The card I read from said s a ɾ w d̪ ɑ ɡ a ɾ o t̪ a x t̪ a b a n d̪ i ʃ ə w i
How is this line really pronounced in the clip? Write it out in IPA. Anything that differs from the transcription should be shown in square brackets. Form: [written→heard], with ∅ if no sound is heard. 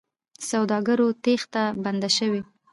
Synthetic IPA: s a [ɾ→∅] w d̪ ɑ ɡ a ɾ o t̪ [a→e] x t̪ a b a n d̪ [i→a] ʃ ə w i